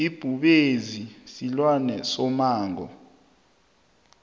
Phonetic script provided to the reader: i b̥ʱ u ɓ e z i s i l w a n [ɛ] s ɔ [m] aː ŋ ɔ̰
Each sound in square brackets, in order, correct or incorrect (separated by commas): correct, correct